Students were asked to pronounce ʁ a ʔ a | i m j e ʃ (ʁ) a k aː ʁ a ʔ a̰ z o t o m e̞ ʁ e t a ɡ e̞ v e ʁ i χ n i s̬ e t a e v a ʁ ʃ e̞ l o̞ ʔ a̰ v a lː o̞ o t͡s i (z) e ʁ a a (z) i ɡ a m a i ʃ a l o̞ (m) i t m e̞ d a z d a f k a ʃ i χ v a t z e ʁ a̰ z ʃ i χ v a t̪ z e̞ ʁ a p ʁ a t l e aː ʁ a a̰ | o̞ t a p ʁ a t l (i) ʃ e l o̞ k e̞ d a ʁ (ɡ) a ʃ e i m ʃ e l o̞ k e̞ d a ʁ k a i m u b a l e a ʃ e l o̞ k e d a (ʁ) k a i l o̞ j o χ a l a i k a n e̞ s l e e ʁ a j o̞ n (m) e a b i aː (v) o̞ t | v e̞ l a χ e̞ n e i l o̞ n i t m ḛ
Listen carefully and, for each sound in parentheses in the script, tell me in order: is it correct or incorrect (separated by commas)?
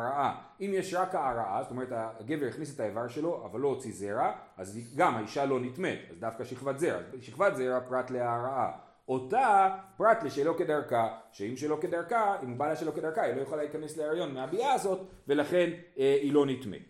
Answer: correct, correct, correct, incorrect, incorrect, incorrect, correct, correct, incorrect